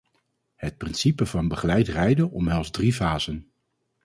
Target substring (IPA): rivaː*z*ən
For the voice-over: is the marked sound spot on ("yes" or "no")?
yes